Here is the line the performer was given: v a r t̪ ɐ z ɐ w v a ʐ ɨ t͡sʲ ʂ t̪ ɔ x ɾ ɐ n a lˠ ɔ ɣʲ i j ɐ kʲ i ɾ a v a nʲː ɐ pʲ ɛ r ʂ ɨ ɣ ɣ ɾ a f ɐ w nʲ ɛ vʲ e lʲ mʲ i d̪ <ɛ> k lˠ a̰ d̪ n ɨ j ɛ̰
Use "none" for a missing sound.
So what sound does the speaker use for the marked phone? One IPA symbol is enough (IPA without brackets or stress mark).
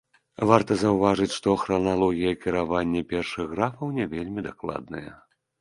a